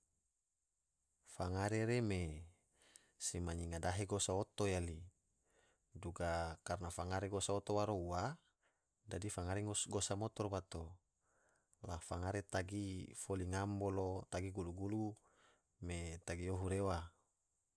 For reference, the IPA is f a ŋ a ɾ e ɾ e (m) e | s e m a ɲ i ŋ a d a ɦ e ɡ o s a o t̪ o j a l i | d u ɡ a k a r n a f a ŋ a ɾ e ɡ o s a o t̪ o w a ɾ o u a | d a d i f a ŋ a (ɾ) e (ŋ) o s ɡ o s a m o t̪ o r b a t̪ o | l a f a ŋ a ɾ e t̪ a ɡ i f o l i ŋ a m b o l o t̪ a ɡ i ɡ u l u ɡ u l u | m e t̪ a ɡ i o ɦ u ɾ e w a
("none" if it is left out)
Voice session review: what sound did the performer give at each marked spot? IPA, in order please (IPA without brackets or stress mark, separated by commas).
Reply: m, ɾ, ŋ